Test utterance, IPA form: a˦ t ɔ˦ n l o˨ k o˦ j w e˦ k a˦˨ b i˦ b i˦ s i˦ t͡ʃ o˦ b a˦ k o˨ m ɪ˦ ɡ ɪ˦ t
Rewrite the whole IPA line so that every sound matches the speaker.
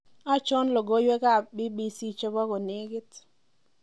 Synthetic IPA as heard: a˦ t͡ʃ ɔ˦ n l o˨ ɡ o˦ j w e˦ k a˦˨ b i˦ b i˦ s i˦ t͡ʃ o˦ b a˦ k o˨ n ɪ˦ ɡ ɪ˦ t